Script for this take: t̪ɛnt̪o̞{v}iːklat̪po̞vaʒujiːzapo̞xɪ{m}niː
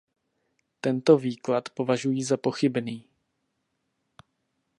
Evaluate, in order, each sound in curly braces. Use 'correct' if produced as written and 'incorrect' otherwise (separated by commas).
correct, incorrect